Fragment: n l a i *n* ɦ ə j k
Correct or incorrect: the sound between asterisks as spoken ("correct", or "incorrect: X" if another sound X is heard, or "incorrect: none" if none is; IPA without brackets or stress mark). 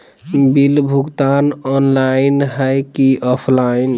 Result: correct